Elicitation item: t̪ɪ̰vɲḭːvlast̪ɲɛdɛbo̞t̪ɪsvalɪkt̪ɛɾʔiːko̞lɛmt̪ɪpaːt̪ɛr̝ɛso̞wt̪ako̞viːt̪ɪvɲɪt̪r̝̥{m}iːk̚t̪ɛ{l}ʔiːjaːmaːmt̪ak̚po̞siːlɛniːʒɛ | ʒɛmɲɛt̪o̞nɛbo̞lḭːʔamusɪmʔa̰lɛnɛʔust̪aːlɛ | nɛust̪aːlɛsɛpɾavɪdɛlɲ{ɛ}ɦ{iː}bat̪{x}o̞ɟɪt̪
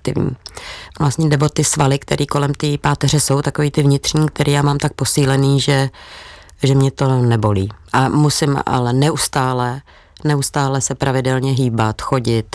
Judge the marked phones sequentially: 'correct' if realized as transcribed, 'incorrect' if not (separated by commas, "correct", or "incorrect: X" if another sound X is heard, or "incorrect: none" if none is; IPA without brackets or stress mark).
incorrect: ɲ, incorrect: ɾ, correct, correct, correct